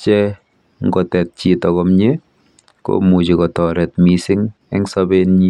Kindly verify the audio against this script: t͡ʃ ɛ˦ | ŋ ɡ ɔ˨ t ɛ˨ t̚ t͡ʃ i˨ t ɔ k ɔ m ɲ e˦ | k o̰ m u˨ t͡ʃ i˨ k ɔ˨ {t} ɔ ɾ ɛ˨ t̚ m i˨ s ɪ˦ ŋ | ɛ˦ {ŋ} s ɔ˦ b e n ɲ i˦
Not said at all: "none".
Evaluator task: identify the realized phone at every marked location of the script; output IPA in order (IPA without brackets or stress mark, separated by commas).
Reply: t, ŋ